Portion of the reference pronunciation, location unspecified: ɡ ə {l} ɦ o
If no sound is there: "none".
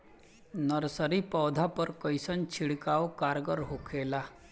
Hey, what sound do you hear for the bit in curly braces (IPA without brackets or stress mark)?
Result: ɾ